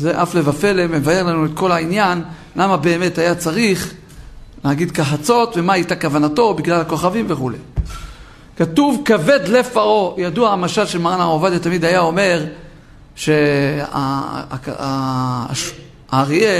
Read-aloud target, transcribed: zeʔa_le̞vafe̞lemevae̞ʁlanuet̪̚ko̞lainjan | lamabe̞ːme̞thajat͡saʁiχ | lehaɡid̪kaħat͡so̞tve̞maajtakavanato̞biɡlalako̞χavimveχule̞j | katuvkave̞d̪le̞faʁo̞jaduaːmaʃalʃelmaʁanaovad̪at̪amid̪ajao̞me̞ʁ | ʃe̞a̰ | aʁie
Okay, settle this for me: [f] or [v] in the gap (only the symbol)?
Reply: f